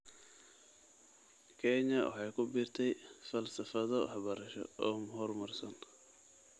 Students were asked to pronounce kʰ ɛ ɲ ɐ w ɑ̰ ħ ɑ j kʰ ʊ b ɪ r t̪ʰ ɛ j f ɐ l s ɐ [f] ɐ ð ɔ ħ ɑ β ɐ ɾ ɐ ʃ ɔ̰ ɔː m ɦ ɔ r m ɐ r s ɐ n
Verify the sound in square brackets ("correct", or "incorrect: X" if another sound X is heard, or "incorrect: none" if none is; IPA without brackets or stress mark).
correct